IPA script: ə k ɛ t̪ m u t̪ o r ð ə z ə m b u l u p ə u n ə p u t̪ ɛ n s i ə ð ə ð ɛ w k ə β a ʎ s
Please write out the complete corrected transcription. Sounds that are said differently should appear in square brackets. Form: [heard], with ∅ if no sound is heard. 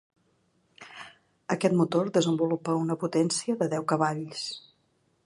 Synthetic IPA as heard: ə k ɛ t̪ m u t̪ o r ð ə z ə m b u l u p ə u n ə p u t̪ ɛ n s i ə ð ə ð ɛ w k ə β a ʎ s

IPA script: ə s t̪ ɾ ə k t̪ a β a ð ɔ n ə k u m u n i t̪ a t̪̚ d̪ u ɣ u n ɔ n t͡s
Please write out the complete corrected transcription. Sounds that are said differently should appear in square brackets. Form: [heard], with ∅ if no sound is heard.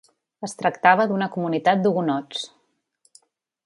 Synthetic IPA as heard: ə s t̪ ɾ ə k t̪ a β [ə] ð [u] n ə k u m u n i t̪ a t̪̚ d̪ u ɣ u n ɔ [∅] t͡s

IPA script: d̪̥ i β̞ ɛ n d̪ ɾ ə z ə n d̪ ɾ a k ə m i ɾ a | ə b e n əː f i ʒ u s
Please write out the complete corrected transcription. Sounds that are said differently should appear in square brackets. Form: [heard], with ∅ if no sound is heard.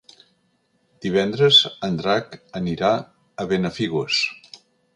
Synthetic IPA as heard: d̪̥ i β̞ ɛ n d̪ ɾ ə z ə n d̪ ɾ a k ə [n] i ɾ a | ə [β] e n [ə] f i [ɣ] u s

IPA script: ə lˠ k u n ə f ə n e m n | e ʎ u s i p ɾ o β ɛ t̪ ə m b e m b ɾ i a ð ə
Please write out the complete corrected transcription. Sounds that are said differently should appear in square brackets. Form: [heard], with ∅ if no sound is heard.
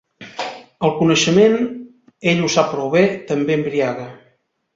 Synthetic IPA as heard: ə lˠ k u n ə [ʃ] ə [m] e [∅] n | e ʎ u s [a] p ɾ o β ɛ t̪ ə m b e m b ɾ i a [ɣ] ə

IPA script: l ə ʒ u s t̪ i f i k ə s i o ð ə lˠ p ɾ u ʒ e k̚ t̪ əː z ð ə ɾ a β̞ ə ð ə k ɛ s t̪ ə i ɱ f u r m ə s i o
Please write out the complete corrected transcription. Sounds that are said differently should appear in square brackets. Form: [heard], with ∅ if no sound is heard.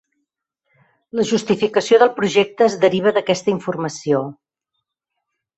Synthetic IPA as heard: l ə ʒ u s t̪ i f i k ə s i o ð ə lˠ p ɾ u ʒ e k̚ t̪ əː z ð ə ɾ [i] β̞ ə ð ə k ɛ s t̪ ə i ɱ f u r m ə s i o

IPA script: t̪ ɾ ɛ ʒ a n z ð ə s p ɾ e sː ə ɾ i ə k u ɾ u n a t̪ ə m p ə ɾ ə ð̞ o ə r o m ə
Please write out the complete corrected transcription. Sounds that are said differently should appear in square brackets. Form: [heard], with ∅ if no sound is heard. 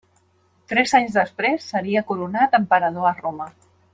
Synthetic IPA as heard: t̪ ɾ ɛ [z] a [ɲ] z ð ə s p ɾ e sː ə ɾ i ə k u ɾ u n a t̪ ə m p ə ɾ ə ð̞ o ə r o m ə

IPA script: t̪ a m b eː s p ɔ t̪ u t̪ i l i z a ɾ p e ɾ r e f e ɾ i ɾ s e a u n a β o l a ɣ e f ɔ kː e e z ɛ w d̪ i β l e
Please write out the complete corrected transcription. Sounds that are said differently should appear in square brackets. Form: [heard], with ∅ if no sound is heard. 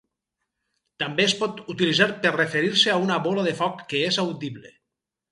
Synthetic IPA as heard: t̪ a m b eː s p ɔ t̪ u t̪ i l i z a ɾ p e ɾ r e f e ɾ i ɾ s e a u n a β o l a [ð] e f ɔ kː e e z [a] w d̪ i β l e

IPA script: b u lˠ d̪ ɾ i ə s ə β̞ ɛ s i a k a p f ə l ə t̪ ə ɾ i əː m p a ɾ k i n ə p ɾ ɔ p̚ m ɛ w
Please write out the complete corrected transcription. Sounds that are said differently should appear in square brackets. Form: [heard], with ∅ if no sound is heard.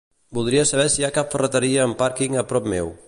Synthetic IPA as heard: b u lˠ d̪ ɾ i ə s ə β̞ ɛ s i a k a p f ə [r] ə t̪ ə ɾ i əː m p a ɾ k i [ŋ] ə p ɾ ɔ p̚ m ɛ w

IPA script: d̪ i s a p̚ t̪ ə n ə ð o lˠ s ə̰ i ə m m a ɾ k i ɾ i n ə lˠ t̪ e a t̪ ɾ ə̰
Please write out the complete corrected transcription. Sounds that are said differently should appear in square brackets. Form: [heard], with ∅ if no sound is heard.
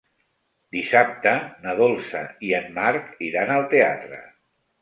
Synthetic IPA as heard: d̪ i s a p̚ t̪ ə n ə ð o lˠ s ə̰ i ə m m a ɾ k i ɾ [a] n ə lˠ t̪ e a t̪ ɾ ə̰

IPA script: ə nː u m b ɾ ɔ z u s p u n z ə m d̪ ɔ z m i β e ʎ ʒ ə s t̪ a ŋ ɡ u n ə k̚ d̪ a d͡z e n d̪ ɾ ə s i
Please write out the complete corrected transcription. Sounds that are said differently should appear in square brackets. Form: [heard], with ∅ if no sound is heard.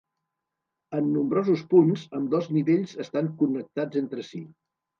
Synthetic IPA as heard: ə nː u m b ɾ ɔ z u s p u n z ə m d̪ ɔ z [n] i β e ʎ [z] ə s t̪ a ŋ [k] u n ə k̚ [t̪] a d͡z e n [t̪] ɾ ə s i

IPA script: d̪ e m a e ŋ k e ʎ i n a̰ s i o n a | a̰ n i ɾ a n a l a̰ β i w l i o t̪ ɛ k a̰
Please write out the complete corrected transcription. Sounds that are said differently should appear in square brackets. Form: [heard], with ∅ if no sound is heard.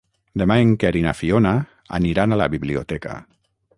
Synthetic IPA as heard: d̪ e m a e ŋ k e [ɾ] i n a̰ [f] i o n a | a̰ n i ɾ a n a l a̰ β i [β] l i o t̪ ɛ k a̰

